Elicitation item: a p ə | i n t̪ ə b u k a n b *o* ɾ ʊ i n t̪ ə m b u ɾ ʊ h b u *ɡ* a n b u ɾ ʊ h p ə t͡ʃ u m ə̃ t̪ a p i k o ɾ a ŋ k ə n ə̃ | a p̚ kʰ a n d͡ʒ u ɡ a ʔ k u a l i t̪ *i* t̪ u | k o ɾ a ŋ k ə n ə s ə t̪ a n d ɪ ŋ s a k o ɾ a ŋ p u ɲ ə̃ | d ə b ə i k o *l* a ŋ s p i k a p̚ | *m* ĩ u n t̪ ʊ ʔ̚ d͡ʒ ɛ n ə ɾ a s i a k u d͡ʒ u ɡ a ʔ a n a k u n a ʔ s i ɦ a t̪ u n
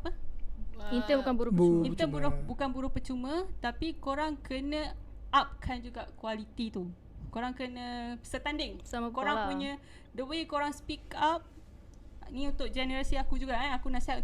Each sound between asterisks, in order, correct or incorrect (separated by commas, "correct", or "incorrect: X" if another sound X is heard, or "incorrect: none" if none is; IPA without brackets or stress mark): incorrect: u, incorrect: k, correct, incorrect: ɾ, incorrect: n